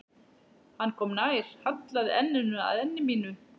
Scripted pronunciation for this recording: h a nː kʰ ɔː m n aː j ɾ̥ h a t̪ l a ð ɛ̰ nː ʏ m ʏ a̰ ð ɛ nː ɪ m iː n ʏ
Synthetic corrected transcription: h a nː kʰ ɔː m n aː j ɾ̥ h a t̪ l a ð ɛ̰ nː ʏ n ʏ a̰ ð ɛ nː ɪ m iː n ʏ